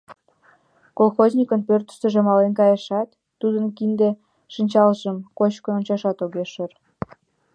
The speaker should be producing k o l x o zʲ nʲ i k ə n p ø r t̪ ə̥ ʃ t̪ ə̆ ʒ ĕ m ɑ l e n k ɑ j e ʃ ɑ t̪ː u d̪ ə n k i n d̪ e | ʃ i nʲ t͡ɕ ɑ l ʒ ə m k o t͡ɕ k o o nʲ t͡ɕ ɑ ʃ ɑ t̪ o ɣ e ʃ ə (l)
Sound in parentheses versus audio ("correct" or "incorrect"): incorrect